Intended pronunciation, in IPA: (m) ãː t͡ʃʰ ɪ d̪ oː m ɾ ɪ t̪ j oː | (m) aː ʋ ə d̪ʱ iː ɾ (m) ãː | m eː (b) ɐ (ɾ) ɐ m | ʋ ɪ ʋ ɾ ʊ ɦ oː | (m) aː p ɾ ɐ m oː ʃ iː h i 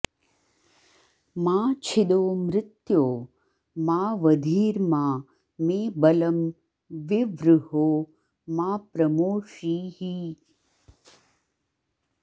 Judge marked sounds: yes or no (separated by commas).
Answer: yes, yes, yes, yes, no, yes